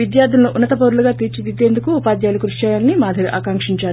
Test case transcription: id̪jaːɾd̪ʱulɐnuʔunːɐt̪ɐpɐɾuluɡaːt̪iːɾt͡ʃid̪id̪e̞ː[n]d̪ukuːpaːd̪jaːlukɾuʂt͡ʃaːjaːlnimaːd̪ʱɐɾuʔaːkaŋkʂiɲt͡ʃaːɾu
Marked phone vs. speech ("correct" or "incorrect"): correct